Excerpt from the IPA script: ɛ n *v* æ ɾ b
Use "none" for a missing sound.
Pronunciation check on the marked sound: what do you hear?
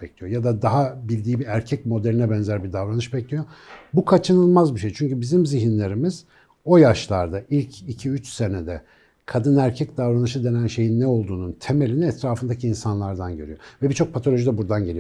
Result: z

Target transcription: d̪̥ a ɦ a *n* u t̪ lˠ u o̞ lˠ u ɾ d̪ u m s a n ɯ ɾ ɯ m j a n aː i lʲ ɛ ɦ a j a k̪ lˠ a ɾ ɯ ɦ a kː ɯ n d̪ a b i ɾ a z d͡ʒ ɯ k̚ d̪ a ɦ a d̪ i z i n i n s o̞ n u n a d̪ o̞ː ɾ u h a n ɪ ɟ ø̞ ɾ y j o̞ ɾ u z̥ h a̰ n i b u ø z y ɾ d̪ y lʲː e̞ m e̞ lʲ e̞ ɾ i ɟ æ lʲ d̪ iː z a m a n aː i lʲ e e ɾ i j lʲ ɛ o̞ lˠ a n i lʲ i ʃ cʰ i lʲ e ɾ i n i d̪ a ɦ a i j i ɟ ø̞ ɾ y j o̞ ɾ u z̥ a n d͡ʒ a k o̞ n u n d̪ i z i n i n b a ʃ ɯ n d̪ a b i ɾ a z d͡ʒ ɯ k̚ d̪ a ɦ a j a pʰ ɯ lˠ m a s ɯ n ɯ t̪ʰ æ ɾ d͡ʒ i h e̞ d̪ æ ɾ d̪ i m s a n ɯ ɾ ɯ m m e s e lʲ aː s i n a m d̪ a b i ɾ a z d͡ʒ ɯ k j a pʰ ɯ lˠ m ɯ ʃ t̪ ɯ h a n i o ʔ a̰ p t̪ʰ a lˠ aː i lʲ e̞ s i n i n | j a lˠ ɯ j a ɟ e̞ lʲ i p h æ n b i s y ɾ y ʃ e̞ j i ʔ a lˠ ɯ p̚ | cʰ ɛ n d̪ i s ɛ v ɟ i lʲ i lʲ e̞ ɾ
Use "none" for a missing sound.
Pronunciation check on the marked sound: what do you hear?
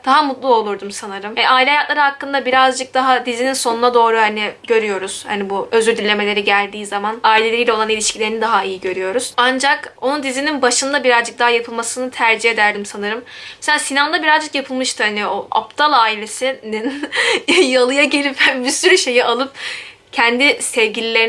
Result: m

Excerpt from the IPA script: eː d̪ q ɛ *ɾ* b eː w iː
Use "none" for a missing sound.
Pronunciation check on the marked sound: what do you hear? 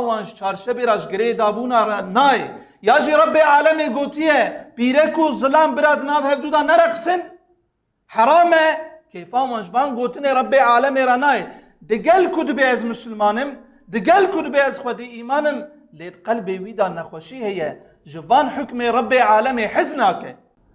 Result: l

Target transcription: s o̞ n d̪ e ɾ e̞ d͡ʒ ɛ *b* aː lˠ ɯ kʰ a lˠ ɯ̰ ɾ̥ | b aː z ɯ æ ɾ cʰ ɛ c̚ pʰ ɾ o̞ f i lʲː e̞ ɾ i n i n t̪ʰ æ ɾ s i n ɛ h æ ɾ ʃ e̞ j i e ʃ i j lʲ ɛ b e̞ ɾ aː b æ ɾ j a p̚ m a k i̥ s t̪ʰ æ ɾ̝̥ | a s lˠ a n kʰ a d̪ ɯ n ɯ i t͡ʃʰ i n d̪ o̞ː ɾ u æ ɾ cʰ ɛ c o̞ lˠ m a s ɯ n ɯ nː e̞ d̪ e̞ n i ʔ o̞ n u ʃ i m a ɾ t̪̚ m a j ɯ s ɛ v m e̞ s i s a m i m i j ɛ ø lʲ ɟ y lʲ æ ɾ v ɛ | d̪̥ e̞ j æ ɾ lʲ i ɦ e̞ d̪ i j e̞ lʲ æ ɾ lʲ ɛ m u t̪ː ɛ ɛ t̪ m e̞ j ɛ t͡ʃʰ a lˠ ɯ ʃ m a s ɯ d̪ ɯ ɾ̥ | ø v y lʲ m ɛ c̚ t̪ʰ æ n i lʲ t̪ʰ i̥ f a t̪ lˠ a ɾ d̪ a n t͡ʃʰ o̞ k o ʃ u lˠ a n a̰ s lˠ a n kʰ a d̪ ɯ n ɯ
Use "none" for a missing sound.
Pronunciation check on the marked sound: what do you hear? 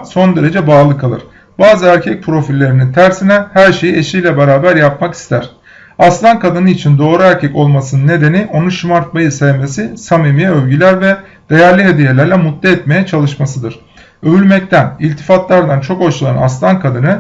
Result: b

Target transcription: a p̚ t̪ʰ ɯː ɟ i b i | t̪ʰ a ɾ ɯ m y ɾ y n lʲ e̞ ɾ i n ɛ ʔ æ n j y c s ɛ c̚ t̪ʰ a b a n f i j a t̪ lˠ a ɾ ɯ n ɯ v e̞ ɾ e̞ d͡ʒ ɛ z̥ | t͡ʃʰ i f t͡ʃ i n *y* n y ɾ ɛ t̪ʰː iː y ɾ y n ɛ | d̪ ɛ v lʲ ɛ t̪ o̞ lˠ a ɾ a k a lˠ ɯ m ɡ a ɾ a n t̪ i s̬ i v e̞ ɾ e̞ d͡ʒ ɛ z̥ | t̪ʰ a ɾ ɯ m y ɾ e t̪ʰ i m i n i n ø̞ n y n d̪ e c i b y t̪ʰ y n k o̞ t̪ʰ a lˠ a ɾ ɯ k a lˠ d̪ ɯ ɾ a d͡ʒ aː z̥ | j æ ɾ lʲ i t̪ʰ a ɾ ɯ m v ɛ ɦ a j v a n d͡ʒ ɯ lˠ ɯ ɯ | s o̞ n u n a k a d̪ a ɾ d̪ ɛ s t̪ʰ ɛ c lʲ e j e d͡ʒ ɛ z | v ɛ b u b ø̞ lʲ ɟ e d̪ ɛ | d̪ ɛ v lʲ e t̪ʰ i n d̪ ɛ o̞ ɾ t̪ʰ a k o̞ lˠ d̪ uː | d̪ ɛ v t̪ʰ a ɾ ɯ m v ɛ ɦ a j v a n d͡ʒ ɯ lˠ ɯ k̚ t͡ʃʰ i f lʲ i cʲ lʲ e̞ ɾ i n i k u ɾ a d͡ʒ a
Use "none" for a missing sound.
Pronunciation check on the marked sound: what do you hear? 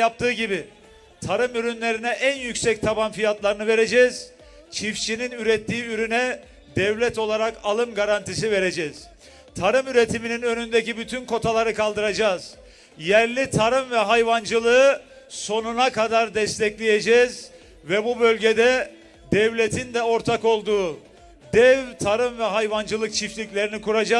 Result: i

